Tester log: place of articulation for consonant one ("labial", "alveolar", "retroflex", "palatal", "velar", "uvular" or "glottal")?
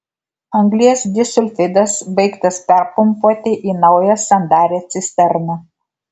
velar